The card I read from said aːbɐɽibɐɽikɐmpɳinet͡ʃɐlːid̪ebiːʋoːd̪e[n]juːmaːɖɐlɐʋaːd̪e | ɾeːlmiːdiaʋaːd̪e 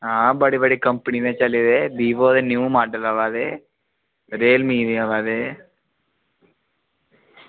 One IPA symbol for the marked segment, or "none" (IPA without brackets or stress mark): n